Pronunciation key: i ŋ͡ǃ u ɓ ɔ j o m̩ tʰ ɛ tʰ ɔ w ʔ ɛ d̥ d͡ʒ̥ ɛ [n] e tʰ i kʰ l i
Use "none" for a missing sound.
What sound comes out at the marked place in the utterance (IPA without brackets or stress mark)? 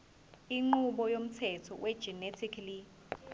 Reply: n